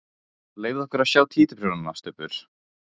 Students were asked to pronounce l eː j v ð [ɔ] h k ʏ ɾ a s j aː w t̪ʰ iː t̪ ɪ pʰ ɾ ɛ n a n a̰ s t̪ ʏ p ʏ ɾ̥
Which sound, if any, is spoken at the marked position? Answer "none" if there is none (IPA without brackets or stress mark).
ɔ